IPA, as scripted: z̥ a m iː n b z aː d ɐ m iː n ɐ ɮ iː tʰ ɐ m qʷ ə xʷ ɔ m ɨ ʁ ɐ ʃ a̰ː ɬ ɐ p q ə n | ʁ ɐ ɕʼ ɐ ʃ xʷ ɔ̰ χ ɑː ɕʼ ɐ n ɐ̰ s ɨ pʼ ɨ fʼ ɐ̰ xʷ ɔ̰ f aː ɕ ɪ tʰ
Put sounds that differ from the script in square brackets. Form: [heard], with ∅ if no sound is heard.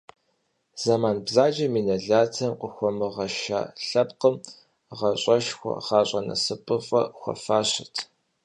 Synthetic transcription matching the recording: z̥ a m [aː] n b z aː [d͡ʒ] ɐ m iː n ɐ ɮ [aː] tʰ ɐ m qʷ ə xʷ ɔ m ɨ ʁ ɐ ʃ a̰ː ɬ ɐ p q ə [m] | ʁ ɐ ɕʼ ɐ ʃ xʷ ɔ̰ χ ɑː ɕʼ ɐ n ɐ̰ s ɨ pʼ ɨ fʼ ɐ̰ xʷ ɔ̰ f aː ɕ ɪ tʰ